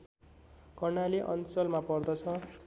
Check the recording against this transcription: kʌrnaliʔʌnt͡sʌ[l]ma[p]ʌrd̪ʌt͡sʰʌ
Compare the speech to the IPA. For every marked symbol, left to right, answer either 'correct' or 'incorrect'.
correct, correct

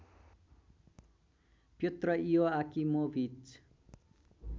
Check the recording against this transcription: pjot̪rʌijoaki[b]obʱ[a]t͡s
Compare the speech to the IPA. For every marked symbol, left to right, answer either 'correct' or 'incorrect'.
incorrect: m, incorrect: i

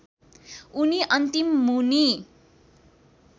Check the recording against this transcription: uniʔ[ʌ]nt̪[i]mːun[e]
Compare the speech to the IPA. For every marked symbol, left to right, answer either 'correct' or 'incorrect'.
correct, correct, incorrect: i

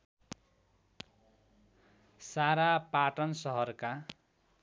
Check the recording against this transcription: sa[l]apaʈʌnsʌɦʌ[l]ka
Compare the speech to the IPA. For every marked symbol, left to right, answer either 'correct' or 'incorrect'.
incorrect: ɾ, incorrect: r

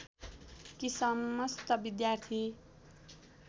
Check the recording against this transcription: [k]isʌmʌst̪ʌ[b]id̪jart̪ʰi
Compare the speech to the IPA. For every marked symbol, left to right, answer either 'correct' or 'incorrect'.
correct, correct

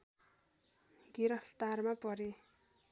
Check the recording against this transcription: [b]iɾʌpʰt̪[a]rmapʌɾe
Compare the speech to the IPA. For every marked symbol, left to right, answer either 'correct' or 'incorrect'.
incorrect: ɡ, correct

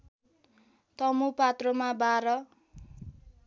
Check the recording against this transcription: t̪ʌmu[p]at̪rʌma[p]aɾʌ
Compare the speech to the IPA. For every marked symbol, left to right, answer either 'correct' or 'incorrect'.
correct, incorrect: b

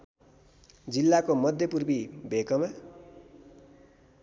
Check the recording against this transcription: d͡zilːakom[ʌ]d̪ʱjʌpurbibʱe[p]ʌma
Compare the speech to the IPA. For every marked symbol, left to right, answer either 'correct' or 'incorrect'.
correct, incorrect: k

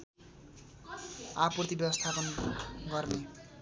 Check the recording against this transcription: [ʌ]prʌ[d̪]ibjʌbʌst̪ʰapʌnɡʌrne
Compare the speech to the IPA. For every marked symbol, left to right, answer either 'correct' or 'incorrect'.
incorrect: a, incorrect: t̪

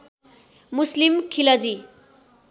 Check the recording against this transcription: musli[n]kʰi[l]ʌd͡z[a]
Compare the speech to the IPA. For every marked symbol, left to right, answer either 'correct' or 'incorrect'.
incorrect: m, correct, incorrect: i

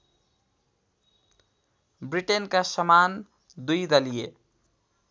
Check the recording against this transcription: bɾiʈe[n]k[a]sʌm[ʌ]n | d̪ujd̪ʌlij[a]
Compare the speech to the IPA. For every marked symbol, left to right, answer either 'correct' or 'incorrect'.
correct, correct, incorrect: a, incorrect: e

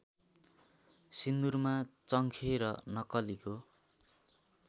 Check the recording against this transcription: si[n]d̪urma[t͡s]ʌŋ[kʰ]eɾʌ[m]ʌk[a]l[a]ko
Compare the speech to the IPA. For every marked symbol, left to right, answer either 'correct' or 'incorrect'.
correct, correct, correct, incorrect: n, incorrect: ʌ, incorrect: i

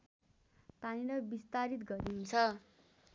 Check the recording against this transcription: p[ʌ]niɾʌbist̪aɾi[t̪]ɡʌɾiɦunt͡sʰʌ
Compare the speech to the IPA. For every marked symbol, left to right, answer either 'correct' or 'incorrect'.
incorrect: a, correct

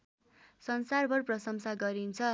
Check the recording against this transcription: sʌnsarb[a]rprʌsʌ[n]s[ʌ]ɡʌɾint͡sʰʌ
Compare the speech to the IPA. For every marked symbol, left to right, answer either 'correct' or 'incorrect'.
incorrect: ʌ, incorrect: m, incorrect: a

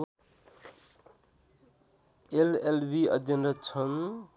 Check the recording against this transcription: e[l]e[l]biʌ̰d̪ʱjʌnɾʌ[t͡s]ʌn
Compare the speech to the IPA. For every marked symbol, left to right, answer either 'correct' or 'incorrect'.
correct, correct, incorrect: t͡sʰ

